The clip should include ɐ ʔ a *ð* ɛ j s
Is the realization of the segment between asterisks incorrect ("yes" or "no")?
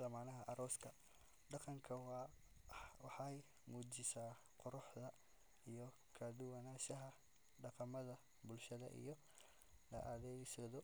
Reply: no